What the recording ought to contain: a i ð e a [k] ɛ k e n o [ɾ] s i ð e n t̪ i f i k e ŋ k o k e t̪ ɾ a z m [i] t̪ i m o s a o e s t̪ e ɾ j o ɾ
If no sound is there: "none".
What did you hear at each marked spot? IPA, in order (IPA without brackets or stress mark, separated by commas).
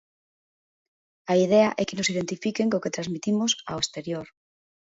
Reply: ʔ, none, i